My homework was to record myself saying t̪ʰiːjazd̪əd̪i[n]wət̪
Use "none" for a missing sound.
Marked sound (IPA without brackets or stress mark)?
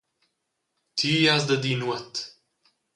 n